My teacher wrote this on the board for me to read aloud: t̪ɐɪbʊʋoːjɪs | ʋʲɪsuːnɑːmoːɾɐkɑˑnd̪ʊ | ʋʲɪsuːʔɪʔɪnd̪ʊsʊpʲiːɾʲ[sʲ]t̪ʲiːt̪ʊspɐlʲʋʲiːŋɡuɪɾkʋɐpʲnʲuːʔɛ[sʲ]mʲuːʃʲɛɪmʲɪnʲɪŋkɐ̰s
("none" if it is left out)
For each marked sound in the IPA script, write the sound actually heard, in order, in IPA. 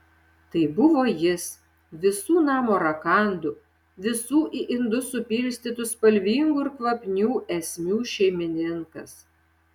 sʲ, sʲ

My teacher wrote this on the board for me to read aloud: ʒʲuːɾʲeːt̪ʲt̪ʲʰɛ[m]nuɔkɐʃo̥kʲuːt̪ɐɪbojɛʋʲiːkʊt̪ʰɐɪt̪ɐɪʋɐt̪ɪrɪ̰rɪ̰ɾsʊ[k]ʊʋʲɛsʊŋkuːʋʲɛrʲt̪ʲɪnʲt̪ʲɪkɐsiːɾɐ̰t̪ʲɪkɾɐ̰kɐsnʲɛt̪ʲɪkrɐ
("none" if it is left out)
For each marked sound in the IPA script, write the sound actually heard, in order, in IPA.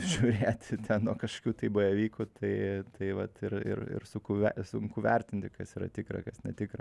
n, k

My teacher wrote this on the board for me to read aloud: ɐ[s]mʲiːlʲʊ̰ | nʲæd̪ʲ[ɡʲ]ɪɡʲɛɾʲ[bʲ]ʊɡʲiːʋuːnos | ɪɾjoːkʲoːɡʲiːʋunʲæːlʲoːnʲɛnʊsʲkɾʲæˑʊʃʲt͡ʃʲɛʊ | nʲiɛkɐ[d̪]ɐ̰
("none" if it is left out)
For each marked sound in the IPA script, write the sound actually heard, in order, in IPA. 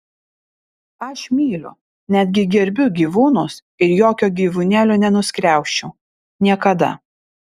ʃ, ɡʲ, bʲ, d̪

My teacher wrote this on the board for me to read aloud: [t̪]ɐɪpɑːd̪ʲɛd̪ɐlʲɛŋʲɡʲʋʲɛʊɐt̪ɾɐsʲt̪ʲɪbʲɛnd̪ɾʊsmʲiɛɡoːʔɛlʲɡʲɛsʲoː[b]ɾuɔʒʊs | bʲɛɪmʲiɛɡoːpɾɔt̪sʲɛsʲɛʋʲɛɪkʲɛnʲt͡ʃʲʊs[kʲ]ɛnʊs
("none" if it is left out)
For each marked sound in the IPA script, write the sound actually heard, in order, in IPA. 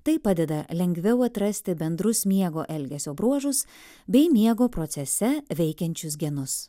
t̪, b, ɡʲ

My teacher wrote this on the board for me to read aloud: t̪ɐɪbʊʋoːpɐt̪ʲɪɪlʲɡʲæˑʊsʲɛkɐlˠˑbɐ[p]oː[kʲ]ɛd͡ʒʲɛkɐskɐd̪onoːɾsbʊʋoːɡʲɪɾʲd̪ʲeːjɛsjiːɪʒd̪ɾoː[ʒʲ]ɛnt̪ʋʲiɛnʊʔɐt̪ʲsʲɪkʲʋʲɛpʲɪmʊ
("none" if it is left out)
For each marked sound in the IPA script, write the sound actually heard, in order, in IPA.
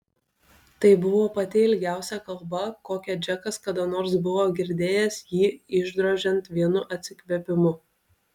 k, kʲ, ʒʲ

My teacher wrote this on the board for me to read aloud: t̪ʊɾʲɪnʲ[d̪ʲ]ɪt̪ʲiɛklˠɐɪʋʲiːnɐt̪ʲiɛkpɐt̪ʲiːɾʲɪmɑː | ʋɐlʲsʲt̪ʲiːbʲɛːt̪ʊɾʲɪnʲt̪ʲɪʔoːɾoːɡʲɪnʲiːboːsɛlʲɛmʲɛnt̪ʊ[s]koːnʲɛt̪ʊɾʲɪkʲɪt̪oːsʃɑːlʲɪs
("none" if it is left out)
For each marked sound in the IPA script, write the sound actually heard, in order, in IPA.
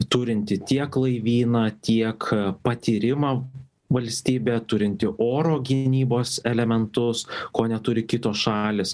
t̪ʲ, s

